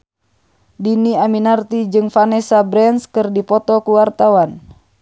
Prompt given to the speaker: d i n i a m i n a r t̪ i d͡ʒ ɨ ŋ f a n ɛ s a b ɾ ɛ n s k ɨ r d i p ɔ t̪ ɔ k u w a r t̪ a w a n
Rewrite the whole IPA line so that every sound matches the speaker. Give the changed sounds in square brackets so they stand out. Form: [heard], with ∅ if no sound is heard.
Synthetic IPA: d i n i a m i n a r t̪ i d͡ʒ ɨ ŋ f a n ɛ s a b ɾ ɛ n s k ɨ r d i p ɔ t̪ ɔ k u w a r t̪ a w a n